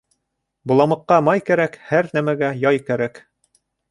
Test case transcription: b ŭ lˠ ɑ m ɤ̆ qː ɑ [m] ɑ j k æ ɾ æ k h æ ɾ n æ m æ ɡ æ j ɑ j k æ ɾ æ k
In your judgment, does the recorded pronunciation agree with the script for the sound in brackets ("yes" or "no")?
yes